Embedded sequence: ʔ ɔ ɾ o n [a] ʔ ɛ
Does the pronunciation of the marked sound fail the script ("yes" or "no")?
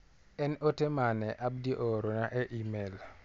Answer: no